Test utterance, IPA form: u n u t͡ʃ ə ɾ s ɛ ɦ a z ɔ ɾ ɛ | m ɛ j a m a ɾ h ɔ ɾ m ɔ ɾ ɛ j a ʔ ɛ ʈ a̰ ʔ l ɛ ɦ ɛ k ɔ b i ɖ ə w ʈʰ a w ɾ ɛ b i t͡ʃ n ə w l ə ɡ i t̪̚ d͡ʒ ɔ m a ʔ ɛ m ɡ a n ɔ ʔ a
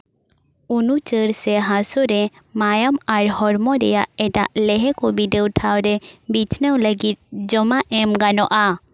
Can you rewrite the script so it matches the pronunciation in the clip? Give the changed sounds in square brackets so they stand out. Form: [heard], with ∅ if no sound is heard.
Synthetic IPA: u n u t͡ʃ ə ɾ s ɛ ɦ a [s] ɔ ɾ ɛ | m [a] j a m a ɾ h ɔ ɾ m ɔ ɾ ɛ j a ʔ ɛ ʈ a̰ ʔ l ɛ ɦ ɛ k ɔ b i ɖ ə w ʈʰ a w ɾ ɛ b i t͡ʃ n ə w l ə ɡ i t̪̚ d͡ʒ ɔ m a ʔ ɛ m ɡ a n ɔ ʔ a